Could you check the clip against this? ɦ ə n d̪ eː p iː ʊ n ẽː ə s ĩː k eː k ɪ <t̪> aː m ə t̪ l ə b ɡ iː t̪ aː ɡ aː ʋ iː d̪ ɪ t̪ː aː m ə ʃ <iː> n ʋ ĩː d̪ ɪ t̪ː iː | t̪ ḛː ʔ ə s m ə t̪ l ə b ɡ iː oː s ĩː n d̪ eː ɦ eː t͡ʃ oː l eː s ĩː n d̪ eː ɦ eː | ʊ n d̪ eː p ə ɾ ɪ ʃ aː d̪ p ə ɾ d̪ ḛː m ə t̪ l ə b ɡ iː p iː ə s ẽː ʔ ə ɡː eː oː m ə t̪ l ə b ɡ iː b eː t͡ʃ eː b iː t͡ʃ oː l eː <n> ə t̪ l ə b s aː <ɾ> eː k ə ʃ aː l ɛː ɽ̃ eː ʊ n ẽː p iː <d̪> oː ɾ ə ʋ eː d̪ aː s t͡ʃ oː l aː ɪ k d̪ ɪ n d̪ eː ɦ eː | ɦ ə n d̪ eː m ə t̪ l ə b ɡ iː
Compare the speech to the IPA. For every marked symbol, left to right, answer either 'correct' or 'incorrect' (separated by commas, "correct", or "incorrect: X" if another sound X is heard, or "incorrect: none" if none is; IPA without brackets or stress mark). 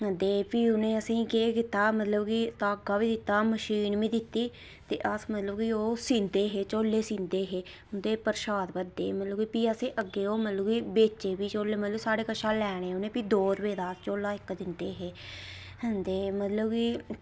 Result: correct, correct, incorrect: m, incorrect: ɽ, correct